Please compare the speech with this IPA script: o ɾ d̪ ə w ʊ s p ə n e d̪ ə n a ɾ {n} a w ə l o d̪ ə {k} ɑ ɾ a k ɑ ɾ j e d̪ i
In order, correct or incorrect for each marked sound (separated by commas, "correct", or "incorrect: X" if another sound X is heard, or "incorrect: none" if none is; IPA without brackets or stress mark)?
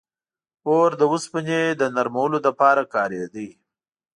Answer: incorrect: m, incorrect: p